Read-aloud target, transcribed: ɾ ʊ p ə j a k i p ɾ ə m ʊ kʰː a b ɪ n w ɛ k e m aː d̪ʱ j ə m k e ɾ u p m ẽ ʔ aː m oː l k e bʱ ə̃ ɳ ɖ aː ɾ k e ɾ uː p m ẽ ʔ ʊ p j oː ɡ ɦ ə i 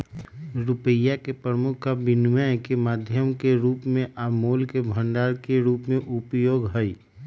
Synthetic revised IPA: ɾ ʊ p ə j a k e p ɾ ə m ʊ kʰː a b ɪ n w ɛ k e m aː d̪ʱ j ə m k e ɾ uː p m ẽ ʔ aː m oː l k e bʱ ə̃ ɳ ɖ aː ɾ k e ɾ uː p m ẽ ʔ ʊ p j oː ɡ ɦ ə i